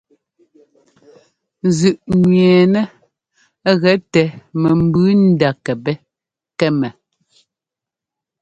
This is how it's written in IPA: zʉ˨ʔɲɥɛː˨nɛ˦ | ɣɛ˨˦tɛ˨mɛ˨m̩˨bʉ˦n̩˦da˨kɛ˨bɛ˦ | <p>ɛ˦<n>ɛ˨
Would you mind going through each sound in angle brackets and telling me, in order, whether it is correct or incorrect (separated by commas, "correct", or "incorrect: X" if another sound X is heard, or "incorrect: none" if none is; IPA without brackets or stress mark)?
incorrect: k, incorrect: m